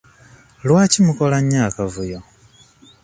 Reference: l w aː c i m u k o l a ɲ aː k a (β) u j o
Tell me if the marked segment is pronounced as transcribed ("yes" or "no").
no